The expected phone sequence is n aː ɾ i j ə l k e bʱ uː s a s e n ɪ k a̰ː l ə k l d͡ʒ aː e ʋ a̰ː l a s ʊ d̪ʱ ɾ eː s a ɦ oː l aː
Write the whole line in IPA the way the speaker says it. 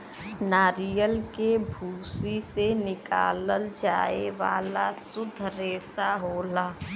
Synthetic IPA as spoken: n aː ɾ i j ə l k e bʱ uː s i s e n ɪ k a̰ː l ə l d͡ʒ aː e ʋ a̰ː l a s ʊ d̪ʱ ɾ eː s a ɦ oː l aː